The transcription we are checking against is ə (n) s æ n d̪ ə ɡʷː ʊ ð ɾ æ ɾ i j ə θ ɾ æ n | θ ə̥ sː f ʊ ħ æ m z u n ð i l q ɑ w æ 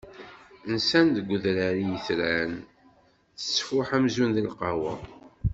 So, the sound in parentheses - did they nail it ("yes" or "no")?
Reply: yes